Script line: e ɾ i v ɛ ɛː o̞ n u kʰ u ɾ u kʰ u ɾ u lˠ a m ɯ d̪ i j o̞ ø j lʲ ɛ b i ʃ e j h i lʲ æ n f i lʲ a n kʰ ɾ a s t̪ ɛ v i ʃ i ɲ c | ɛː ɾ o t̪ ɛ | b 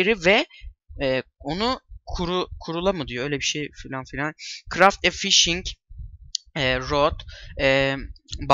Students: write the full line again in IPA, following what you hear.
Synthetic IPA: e ɾ i v ɛ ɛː o̞ n u kʰ u ɾ u kʰ u ɾ u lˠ a m ɯ d̪ i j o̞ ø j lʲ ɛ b i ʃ e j f i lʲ a n f i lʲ a n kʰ ɾ a f t̪ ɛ f i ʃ i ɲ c | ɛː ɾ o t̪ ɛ | b